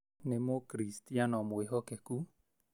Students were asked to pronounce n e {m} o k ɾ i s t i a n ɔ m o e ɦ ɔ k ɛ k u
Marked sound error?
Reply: no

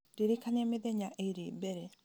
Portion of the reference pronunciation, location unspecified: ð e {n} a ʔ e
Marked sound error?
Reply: yes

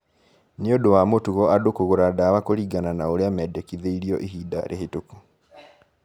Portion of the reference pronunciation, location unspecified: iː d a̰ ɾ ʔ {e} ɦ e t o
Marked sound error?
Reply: no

